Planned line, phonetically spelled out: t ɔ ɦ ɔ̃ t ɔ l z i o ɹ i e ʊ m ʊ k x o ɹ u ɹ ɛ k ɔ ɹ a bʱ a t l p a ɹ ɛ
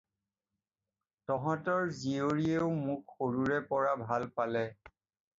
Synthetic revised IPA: t ɔ ɦ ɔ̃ t ɔ ɹ z i o ɹ i e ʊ m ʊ k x o ɹ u ɹ ɛ p ɔ ɹ a bʱ a l p a l ɛ